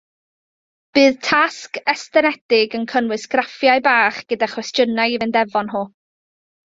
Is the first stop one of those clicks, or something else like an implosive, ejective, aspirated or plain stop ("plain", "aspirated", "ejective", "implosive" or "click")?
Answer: plain